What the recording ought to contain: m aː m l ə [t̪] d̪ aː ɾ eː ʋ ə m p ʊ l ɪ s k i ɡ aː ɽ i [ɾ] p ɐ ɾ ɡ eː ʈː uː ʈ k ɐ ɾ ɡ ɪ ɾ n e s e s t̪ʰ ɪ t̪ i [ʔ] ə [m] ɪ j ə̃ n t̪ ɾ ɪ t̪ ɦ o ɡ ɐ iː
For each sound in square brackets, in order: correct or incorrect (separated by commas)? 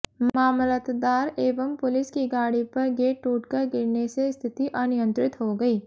correct, incorrect, correct, incorrect